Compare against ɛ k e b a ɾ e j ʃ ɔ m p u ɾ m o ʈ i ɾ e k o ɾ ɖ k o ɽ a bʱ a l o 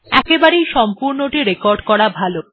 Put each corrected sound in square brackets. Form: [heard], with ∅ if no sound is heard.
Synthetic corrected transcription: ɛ k e b a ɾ e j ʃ ɔ m p u ɾ [n] o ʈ i ɾ e k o ɾ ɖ k [ɔ] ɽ a bʱ a l o